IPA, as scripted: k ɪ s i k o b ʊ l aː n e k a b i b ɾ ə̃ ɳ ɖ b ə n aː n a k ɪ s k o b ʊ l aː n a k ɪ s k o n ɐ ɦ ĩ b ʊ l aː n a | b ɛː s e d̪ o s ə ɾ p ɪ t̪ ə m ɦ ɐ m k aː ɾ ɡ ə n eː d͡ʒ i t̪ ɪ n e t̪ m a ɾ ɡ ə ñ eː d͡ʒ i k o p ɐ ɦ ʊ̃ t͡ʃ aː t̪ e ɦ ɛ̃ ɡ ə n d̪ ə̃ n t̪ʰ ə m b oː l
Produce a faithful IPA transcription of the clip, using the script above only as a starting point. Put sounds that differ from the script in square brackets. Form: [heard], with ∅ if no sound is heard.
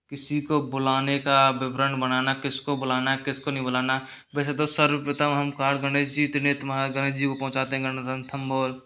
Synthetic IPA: k ɪ s i k o b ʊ l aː n e k a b [ɪ] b ɾ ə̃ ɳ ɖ b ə n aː n a k ɪ s k o b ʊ l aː n a k ɪ s k o n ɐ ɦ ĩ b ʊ l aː n a | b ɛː s e [t̪] o s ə ɾ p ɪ t̪ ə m ɦ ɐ m k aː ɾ ɡ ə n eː d͡ʒ i t̪ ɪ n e t̪ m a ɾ ɡ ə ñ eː d͡ʒ i k o p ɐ ɦ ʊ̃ t͡ʃ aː t̪ e ɦ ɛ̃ ɡ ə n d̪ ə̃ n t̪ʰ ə m b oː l